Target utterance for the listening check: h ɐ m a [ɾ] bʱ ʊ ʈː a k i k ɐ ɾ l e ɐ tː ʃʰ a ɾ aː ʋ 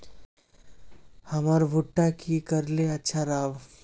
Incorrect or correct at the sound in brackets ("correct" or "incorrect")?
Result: correct